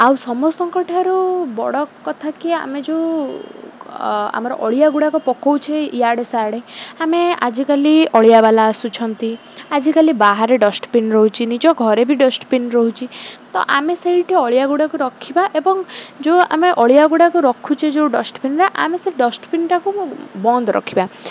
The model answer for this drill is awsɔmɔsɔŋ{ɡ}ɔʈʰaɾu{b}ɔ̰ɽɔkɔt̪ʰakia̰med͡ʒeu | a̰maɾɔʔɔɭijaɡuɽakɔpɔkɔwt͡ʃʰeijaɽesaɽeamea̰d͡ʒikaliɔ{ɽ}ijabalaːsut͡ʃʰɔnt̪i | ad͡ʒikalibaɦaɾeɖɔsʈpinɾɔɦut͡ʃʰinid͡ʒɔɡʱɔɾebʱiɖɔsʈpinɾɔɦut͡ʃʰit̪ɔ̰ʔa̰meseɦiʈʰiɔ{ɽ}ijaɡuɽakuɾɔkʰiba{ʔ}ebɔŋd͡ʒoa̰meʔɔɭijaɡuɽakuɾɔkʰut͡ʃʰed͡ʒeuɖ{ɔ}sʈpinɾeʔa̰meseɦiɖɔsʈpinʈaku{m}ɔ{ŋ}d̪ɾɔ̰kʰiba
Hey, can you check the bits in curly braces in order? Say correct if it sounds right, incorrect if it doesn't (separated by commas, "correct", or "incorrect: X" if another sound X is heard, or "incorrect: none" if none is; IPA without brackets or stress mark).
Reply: incorrect: k, correct, incorrect: ɭ, incorrect: ɭ, correct, correct, incorrect: b, incorrect: n